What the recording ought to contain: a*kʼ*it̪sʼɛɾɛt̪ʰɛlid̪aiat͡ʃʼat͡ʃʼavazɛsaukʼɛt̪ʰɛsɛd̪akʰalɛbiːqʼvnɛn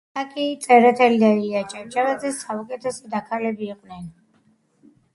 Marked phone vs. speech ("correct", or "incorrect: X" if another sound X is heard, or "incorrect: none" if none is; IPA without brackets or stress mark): correct